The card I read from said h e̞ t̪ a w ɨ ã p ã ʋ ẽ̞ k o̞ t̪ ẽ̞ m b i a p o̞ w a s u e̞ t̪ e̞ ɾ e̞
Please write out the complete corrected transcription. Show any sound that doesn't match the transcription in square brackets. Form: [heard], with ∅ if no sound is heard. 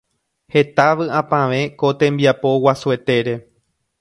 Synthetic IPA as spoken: h e̞ t̪ a [ʋ] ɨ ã p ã ʋ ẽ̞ k o̞ t̪ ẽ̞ m b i a p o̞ w a s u e̞ t̪ e̞ ɾ e̞